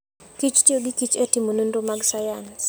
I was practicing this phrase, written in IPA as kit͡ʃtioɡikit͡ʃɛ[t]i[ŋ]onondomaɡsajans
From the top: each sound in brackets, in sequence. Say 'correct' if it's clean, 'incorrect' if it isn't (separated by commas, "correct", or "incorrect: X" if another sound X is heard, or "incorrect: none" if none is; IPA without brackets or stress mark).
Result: correct, incorrect: m